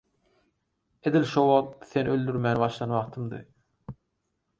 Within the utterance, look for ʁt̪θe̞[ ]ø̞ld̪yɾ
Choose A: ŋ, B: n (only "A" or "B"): B